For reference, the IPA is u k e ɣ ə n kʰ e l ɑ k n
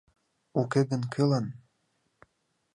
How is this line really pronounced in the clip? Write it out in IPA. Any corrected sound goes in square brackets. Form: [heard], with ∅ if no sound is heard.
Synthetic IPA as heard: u k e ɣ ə n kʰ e l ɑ [∅] n

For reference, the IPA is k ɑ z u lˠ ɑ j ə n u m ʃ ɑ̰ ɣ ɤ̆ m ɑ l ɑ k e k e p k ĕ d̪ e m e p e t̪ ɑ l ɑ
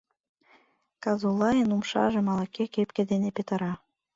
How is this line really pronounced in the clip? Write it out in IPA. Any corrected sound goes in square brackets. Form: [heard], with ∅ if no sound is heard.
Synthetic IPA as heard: k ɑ z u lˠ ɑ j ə n u m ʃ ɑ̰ [ʒ] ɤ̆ m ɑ l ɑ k e k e p k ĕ d̪ e [n] e p e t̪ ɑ [ɾ] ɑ

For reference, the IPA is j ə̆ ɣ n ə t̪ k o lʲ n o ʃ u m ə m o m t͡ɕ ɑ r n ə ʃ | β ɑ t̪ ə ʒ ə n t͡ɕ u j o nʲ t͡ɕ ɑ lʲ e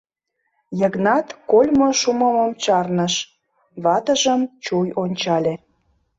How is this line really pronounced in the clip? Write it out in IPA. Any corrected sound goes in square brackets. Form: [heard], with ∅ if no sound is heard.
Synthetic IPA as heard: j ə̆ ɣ n [ɑ] t̪ k o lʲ [m] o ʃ u m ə m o m t͡ɕ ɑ r n ə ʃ | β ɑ t̪ ə ʒ ə [m] t͡ɕ u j o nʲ t͡ɕ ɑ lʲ e

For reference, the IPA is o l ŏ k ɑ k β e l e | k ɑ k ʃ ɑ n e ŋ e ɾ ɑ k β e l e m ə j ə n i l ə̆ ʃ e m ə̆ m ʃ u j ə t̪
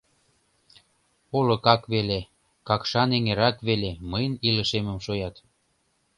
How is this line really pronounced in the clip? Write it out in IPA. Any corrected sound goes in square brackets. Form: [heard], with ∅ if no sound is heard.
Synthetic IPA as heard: o l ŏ k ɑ k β e l e | k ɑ k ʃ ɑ n e ŋ e ɾ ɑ k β e l e m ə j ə n i l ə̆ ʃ e m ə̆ m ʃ [o] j [ɑ] t̪

